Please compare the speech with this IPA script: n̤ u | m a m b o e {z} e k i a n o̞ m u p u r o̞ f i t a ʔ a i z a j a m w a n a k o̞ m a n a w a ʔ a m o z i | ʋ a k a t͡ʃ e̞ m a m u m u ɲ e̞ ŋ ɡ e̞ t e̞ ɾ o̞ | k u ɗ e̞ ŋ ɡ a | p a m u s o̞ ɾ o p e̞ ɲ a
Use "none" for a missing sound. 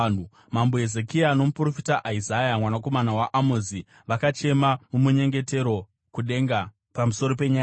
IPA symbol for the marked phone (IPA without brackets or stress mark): z